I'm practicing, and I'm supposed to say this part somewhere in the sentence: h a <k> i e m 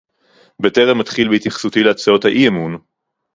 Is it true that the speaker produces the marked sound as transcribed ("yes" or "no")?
no